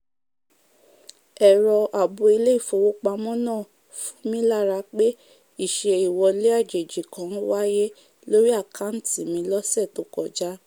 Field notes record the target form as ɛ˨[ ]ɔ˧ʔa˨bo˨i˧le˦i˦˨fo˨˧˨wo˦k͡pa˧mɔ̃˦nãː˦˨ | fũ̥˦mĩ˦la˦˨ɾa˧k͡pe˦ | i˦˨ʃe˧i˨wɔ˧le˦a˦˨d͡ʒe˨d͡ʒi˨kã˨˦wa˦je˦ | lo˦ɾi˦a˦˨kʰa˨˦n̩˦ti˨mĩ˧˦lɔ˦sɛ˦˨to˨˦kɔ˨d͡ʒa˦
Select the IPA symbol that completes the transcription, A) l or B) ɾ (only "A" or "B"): B